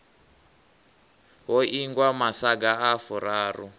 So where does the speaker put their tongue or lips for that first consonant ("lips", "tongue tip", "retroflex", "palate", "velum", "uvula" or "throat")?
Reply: throat